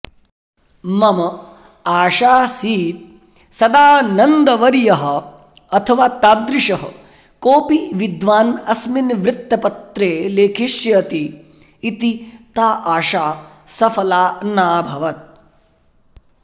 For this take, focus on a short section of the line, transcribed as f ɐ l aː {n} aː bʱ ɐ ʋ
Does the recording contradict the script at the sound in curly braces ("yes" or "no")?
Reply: no